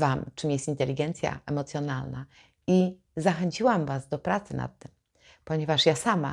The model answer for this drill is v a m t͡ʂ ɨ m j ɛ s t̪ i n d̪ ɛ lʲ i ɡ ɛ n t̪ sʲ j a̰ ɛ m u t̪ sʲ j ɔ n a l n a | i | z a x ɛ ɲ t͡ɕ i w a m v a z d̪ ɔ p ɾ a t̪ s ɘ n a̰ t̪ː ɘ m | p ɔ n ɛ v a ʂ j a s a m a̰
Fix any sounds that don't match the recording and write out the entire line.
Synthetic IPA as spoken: v a m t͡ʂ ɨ m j ɛ s t̪ i n t̪ ɛ lʲ i ɡ ɛ n t̪ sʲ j a̰ ɛ m ɔ t̪ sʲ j ɔ n a l n a | i | z a x ɛ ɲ t͡ɕ i w a m v a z d̪ ɔ p ɾ a t̪ s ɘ n a̰ t̪ː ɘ m | p ɔ ɲ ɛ v a ʂ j a s a m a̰